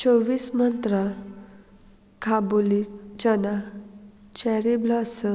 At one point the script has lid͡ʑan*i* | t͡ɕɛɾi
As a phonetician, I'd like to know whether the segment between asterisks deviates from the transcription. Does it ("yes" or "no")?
yes